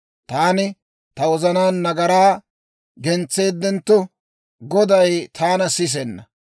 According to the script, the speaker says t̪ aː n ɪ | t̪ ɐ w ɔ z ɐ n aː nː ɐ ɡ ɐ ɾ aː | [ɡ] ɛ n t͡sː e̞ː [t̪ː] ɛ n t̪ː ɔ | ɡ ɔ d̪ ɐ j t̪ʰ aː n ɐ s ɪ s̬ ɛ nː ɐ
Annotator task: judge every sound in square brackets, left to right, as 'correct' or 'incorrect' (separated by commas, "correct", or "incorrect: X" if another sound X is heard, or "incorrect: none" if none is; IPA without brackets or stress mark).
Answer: correct, incorrect: d̪ː